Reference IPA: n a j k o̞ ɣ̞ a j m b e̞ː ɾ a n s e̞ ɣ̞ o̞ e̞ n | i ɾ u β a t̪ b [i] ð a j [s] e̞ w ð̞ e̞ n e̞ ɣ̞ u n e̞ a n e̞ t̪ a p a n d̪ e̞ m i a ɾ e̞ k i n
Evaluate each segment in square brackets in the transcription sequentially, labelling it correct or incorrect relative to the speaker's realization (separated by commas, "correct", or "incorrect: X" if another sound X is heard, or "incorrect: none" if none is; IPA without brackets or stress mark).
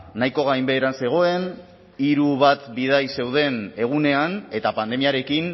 correct, correct